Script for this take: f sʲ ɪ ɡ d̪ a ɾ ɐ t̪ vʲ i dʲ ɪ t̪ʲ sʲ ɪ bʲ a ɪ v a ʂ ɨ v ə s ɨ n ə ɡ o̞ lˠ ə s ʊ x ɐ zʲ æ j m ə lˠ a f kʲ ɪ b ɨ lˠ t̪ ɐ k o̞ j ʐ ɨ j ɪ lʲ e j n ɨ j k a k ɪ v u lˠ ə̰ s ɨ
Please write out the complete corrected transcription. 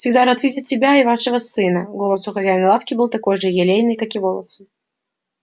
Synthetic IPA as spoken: f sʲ ɪ ɡ d̪ a ɾ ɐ t̪ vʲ i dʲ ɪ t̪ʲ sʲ ɪ bʲ a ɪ v a ʂ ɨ v ə s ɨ n ə ɡ o̞ lˠ ə s ʊ x ɐ zʲ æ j n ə lˠ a f kʲ ɪ b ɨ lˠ t̪ ɐ k o̞ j ʐ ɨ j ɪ lʲ e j n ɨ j k a k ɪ v o lˠ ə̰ s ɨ